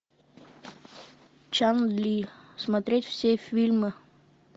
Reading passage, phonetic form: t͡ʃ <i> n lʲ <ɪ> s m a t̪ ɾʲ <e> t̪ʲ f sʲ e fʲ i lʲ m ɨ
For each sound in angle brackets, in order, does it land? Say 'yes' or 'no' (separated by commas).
no, no, yes